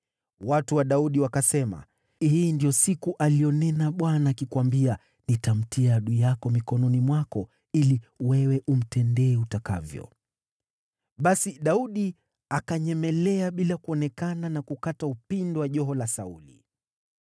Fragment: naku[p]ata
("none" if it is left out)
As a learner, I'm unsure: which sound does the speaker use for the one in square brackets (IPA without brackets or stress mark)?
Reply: k